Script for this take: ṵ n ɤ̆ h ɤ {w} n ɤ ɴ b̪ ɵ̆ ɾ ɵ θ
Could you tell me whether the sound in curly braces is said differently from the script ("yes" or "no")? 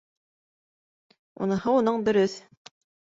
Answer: yes